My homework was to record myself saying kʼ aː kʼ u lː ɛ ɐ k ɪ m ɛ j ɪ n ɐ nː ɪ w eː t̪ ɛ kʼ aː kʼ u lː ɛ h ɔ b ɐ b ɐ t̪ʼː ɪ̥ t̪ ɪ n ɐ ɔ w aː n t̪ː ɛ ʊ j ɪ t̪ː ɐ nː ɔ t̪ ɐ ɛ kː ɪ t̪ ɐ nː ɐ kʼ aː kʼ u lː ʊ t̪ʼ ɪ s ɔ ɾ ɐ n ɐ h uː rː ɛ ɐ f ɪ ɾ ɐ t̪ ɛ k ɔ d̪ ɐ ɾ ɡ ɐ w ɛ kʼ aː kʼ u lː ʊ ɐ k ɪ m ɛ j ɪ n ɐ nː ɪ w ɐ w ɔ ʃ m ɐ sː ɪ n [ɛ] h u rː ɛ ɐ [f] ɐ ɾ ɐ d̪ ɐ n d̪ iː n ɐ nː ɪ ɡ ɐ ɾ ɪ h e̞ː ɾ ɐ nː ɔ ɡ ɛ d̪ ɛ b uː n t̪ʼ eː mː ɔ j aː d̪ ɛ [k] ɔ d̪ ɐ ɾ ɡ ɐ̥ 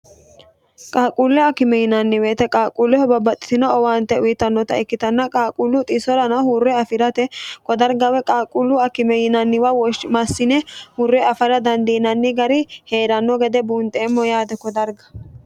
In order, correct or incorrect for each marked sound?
correct, correct, correct

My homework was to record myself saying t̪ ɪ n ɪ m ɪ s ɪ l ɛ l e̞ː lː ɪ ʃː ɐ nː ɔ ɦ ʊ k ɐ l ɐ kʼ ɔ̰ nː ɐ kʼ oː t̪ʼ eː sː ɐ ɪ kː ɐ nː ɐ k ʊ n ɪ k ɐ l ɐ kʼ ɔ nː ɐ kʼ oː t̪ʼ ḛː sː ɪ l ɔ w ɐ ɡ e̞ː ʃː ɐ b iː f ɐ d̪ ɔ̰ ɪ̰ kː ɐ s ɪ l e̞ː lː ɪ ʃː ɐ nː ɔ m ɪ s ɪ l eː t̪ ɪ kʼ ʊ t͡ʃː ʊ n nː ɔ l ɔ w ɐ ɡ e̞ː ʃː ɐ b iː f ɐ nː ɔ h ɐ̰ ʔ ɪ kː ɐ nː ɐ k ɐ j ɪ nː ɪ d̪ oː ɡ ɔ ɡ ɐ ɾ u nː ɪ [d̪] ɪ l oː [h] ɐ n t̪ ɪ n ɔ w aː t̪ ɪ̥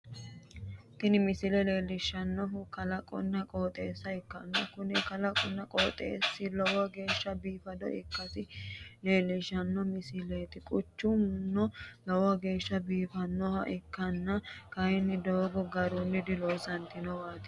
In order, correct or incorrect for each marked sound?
correct, incorrect: s

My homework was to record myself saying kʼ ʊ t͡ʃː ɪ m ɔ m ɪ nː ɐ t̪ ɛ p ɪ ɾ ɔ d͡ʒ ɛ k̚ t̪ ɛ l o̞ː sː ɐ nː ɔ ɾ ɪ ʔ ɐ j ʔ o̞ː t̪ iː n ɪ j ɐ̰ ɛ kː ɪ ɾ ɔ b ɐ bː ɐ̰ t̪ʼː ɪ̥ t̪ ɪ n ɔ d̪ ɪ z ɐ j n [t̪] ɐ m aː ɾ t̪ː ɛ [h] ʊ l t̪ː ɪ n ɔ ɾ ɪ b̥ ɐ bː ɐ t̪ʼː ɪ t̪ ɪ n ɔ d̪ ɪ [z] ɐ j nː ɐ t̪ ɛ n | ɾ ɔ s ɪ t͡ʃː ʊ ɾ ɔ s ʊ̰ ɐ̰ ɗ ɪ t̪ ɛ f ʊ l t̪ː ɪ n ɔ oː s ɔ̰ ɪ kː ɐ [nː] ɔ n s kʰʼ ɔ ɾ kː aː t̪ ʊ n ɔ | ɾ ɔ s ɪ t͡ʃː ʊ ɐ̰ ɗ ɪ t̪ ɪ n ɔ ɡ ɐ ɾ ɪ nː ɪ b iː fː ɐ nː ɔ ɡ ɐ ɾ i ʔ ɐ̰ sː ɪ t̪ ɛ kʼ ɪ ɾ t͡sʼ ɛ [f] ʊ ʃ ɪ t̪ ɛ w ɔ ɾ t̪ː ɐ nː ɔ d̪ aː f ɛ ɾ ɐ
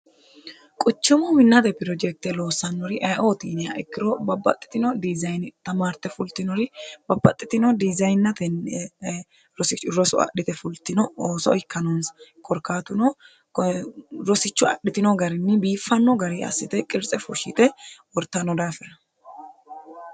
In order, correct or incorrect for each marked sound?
correct, incorrect: f, correct, incorrect: n, correct

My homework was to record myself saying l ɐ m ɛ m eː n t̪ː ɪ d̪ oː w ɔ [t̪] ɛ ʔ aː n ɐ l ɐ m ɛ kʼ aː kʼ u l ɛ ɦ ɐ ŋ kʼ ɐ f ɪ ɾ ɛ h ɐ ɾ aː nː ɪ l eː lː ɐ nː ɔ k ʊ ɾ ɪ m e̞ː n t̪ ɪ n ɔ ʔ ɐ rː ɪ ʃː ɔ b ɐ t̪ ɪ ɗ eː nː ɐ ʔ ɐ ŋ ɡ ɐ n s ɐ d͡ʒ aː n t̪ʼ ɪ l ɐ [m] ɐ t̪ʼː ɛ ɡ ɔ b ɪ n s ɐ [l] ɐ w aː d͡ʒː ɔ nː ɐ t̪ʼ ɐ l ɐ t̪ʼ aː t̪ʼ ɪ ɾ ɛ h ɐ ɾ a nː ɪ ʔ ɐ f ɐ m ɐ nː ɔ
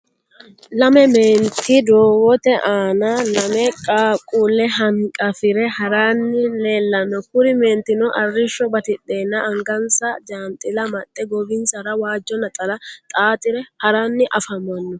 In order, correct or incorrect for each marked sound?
correct, correct, incorrect: ɾ

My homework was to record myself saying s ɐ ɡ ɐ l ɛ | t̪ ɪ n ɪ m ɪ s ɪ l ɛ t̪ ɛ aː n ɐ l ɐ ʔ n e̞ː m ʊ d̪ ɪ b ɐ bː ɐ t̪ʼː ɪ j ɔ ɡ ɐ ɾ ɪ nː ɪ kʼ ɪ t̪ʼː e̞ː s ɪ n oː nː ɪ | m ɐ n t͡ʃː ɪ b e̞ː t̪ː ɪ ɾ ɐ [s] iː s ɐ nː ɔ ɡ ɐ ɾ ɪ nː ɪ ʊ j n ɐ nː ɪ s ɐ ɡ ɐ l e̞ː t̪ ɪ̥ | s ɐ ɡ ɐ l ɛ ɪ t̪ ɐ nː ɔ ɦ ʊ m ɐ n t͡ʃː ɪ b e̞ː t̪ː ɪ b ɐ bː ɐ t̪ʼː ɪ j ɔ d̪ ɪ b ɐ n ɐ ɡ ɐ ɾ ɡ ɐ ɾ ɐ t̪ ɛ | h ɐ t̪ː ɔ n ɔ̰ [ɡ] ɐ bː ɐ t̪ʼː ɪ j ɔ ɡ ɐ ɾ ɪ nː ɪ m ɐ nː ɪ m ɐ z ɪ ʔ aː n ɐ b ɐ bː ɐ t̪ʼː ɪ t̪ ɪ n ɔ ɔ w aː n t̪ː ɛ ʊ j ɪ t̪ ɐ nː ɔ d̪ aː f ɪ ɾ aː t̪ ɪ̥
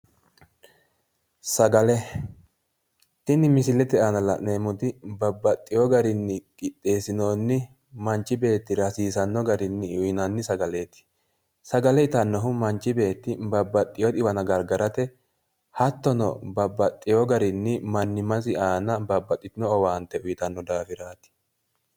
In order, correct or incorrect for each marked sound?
correct, incorrect: b

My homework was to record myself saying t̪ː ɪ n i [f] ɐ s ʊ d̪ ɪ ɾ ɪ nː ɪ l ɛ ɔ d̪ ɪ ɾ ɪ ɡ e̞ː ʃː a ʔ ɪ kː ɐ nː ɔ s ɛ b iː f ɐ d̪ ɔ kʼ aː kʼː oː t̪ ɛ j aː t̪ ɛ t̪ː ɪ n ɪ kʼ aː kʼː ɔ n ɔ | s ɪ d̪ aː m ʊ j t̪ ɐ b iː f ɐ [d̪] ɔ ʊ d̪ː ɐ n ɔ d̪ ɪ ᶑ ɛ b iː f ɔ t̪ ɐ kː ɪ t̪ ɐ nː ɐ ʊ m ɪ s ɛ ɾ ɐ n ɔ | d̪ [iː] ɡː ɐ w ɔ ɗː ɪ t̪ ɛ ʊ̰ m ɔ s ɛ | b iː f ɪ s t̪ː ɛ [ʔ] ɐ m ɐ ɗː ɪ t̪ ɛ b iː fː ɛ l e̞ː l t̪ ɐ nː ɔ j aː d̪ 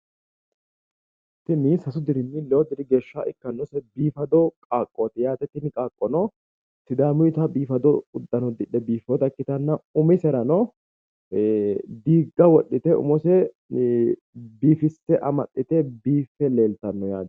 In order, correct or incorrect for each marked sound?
incorrect: s, correct, correct, correct

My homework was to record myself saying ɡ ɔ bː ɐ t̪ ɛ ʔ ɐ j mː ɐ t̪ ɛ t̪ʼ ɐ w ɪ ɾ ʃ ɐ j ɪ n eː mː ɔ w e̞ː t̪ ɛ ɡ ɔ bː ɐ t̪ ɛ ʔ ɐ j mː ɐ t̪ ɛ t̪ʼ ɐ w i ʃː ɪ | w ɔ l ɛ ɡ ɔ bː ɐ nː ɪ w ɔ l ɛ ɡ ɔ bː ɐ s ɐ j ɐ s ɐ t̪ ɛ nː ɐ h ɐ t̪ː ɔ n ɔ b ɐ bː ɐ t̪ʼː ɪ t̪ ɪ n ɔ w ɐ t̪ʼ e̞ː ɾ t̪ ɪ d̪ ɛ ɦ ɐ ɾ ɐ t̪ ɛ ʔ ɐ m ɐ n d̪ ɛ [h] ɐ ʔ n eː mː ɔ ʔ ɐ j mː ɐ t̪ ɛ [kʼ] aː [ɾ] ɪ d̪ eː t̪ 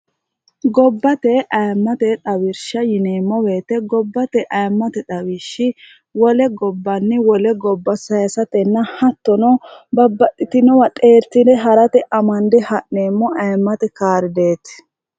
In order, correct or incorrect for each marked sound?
correct, incorrect: k, correct

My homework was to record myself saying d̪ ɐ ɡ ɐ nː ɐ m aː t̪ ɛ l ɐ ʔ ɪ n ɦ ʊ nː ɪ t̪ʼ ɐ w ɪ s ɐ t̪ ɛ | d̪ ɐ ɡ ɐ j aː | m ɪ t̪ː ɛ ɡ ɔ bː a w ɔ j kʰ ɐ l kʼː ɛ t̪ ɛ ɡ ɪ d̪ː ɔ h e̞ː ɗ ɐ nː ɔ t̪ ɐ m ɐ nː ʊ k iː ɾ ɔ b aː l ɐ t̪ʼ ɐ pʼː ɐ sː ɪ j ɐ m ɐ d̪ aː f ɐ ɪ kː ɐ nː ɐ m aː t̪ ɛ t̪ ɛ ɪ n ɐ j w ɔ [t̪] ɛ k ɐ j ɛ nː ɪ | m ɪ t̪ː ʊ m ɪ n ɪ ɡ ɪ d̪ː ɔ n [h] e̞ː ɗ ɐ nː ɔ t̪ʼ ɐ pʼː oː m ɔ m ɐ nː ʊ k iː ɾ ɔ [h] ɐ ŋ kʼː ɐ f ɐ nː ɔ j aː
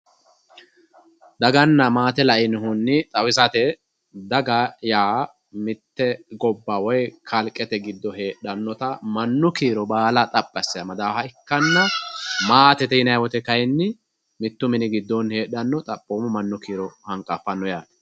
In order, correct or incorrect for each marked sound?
correct, correct, correct

